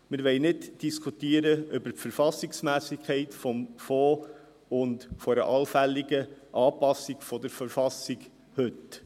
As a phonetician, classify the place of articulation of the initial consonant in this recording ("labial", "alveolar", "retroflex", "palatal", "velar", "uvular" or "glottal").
labial